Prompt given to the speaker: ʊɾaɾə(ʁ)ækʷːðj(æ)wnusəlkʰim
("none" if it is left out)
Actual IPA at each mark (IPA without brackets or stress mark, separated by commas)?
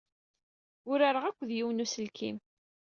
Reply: ʁ, i